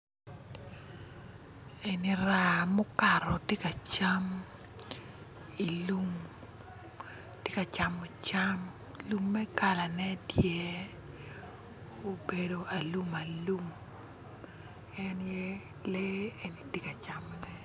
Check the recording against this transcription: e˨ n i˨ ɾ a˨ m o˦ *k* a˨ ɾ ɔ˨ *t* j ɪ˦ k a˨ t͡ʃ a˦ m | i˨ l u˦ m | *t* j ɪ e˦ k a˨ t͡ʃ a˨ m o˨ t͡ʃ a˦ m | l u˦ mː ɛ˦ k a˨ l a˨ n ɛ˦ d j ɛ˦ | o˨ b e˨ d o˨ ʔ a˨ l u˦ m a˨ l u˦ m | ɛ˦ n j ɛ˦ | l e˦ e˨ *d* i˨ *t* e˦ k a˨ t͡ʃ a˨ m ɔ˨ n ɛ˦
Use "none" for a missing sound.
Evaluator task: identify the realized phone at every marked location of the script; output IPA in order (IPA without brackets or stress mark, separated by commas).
k, t, t, n, t